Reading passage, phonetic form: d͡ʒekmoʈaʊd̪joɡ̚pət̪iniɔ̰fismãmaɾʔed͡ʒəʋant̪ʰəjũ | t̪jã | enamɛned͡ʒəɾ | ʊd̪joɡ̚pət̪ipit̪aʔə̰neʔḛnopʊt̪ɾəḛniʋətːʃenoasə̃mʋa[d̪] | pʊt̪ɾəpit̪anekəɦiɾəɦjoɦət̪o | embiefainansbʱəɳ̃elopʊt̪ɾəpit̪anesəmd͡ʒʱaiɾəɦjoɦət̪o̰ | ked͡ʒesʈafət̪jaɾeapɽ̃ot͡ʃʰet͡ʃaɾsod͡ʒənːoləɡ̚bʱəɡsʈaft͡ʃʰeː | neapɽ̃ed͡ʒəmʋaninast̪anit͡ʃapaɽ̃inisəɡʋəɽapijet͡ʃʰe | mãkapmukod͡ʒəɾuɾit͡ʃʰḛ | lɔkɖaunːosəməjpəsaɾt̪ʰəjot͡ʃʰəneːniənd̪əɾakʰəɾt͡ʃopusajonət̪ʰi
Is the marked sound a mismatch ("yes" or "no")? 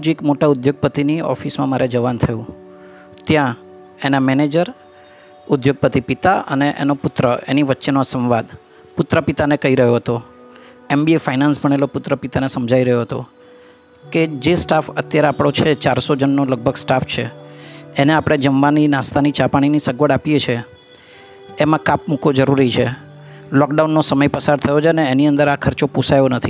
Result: no